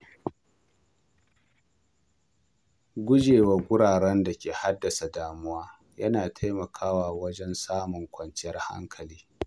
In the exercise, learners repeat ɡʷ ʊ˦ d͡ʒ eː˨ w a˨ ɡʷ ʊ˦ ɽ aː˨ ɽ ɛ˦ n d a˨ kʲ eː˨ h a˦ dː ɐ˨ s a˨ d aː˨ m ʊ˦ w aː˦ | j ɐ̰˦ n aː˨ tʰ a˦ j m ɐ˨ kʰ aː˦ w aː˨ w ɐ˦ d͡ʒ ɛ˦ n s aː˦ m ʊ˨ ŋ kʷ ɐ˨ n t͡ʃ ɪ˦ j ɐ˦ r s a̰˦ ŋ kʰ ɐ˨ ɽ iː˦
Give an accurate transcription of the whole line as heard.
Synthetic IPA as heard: ɡʷ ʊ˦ d͡ʒ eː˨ w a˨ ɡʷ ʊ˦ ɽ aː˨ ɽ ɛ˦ n d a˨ kʲ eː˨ h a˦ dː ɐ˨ s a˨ d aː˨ m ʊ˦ w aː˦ | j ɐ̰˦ n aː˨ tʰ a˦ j m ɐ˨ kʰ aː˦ w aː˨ w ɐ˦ d͡ʒ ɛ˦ n s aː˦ m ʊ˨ ŋ kʷ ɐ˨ n t͡ʃ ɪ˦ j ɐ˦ r h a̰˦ ŋ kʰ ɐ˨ l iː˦

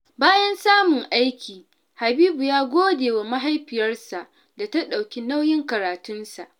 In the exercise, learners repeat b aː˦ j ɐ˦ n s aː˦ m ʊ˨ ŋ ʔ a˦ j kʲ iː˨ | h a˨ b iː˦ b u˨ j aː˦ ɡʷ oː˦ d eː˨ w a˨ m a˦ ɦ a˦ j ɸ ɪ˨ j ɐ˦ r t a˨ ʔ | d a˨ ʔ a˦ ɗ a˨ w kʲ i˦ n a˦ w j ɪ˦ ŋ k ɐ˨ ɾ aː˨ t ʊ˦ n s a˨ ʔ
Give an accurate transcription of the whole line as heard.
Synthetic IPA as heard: b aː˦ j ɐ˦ n s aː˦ m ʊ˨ ŋ ʔ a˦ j kʲ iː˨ | h a˨ b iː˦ b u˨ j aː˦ ɡʷ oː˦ d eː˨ w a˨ m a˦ ɦ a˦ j ɸ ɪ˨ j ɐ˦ r s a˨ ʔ | d a˨ t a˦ ɗ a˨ w kʲ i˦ n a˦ w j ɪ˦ ŋ k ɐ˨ ɾ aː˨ t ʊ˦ n s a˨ ʔ

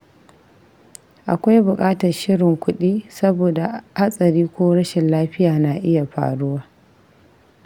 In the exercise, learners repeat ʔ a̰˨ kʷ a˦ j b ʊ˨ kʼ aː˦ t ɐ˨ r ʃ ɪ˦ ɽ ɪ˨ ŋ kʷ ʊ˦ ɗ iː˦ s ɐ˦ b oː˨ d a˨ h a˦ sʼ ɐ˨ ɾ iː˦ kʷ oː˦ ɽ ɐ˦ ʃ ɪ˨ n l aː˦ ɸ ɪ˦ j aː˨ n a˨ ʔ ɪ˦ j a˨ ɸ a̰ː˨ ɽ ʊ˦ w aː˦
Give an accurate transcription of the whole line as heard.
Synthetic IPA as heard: ʔ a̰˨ kʷ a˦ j b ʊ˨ kʼ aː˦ t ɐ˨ r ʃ ɪ˦ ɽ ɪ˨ ŋ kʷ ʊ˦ ɗ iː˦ s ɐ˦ b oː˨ d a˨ h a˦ sʼ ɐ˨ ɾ iː˦ kʷ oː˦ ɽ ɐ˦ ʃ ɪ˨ n l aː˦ ɸ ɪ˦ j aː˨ n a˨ ʔ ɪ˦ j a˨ ɸ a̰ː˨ ɽ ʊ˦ w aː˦

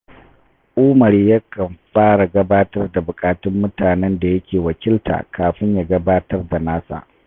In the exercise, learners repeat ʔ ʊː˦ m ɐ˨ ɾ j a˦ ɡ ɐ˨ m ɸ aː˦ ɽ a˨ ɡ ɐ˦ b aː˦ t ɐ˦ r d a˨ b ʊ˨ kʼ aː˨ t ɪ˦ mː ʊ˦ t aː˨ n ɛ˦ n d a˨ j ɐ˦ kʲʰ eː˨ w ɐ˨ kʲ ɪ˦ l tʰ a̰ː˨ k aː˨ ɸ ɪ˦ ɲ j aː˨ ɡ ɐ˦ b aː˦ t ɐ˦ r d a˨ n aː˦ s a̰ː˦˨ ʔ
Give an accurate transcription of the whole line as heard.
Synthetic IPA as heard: ʔ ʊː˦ m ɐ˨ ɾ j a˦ k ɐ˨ m ɸ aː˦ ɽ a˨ ɡ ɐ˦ b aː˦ t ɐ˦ r d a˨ b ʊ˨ kʼ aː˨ t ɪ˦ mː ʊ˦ t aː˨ n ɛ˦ n d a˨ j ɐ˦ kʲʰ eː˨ w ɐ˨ kʲ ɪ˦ l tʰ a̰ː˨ k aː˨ ɸ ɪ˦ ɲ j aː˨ ɡ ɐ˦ b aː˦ t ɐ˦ r d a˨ n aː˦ s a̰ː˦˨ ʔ

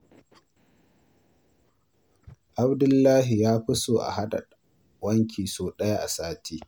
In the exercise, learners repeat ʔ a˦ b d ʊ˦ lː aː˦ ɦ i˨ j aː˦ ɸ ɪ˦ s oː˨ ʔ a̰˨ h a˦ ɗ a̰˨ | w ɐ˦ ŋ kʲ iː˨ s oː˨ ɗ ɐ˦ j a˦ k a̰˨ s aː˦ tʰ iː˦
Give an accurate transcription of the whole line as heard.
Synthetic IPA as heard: ʔ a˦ b d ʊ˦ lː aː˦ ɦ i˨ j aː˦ ɸ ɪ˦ s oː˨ ʔ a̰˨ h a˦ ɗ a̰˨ | w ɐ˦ ŋ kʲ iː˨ s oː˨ ɗ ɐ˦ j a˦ ʔ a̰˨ s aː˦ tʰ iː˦

